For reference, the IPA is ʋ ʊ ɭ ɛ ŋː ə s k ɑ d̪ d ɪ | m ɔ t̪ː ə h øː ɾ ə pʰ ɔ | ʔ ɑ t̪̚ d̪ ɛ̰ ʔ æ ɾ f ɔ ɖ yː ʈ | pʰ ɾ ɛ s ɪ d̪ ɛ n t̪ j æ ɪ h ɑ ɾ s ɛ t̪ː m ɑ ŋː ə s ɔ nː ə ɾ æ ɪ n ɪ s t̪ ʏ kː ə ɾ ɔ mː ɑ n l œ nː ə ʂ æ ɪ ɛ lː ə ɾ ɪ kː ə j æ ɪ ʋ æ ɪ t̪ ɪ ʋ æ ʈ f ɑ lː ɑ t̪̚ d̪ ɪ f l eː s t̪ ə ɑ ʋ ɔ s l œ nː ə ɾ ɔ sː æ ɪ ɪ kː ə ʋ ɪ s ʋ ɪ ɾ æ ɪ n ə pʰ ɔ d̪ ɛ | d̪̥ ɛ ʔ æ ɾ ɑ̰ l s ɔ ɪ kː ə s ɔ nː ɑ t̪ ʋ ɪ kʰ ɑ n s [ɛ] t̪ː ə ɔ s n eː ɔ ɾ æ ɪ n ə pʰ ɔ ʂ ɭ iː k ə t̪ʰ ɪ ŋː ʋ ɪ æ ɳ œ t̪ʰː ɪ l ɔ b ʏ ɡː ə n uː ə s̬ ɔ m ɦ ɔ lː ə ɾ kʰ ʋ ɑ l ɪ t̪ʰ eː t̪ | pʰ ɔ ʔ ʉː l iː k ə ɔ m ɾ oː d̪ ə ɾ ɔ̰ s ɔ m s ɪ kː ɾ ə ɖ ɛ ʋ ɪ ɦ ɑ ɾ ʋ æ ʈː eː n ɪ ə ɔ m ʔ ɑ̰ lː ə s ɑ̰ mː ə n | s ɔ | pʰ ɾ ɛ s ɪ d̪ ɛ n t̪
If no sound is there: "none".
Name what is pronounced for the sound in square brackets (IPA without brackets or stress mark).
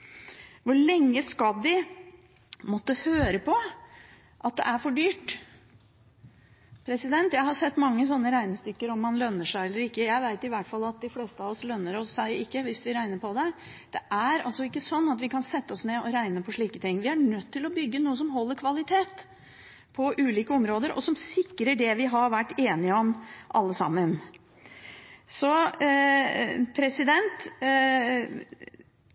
ɛ